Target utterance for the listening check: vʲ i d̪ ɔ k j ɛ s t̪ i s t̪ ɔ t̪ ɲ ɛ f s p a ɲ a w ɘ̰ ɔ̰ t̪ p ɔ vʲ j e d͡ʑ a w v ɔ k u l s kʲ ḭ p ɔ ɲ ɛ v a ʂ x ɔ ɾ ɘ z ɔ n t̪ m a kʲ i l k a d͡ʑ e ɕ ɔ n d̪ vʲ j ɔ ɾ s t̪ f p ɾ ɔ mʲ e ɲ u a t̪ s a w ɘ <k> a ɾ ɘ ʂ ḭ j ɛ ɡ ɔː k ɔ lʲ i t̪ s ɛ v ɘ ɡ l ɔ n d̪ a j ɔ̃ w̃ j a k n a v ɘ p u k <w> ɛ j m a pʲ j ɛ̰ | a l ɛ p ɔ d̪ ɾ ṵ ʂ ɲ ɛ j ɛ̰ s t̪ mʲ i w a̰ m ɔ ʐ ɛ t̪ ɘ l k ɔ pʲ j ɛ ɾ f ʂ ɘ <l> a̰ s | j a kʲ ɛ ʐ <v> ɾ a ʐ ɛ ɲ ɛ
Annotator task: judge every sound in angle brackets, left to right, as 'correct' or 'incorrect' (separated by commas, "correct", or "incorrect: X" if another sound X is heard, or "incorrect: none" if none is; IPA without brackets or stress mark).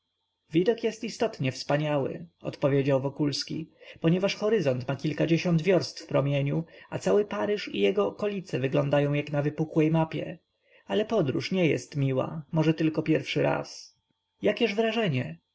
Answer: incorrect: p, correct, incorrect: ɾ, correct